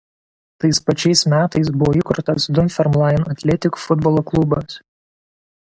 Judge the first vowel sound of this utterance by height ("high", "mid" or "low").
low